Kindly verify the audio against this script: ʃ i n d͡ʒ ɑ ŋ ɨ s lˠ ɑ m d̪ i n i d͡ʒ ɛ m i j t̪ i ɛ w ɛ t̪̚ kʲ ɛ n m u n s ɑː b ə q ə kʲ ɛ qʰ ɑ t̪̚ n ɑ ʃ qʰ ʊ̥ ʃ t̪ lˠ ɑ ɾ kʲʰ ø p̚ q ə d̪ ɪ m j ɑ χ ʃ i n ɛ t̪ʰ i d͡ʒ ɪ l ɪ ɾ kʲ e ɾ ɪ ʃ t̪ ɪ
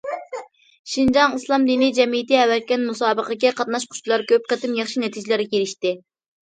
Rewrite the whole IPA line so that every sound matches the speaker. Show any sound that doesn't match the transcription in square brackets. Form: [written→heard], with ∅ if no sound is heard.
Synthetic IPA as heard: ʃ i n d͡ʒ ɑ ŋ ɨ s lˠ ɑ m d̪ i n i d͡ʒ ɛ m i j t̪ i ɛ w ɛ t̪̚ kʲ ɛ n m u [n→∅] s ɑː b ə q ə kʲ ɛ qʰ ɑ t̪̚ n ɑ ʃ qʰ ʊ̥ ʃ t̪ lˠ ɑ ɾ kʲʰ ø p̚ q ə [d̪→t̪] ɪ m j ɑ χ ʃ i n ɛ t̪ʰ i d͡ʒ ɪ l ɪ ɾ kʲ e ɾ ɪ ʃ t̪ ɪ